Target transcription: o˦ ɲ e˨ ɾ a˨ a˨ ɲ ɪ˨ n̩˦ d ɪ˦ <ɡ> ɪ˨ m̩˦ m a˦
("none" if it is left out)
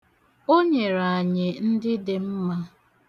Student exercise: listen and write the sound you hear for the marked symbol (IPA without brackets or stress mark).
d